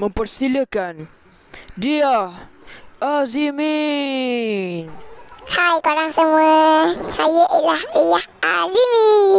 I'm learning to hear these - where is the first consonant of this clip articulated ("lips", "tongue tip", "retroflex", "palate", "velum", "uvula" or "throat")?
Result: lips